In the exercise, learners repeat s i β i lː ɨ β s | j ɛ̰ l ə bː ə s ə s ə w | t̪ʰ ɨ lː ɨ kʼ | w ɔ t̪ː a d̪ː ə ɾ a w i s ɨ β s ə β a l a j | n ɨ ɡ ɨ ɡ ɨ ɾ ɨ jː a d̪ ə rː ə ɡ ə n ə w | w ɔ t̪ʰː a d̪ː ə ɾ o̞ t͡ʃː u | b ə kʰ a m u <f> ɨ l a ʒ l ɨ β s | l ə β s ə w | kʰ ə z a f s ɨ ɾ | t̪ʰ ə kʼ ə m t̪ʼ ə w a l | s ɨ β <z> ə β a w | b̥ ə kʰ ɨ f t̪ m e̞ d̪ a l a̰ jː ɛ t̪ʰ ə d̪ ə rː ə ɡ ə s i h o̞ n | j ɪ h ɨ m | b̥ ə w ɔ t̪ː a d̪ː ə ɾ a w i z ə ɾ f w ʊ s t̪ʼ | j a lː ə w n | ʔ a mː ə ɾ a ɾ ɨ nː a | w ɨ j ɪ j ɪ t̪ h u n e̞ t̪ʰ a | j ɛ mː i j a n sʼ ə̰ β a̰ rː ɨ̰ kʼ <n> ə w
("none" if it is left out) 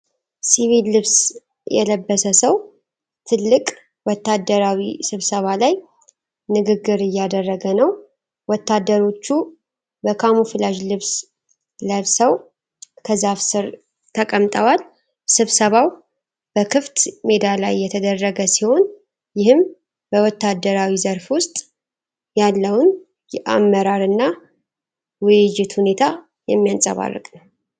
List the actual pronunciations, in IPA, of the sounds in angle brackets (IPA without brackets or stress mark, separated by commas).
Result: f, s, n